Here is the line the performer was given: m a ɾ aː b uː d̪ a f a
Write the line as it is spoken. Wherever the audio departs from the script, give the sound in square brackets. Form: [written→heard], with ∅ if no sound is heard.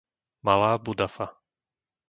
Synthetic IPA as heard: m a [ɾ→l] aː b [uː→u] d̪ a f a